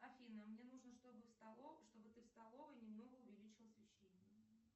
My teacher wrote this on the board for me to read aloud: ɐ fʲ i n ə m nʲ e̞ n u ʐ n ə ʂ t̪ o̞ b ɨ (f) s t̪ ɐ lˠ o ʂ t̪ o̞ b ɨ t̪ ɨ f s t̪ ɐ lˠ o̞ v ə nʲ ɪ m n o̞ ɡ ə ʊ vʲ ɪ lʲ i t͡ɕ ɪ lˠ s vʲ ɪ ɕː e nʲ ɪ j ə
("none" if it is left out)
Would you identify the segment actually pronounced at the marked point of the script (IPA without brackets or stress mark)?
f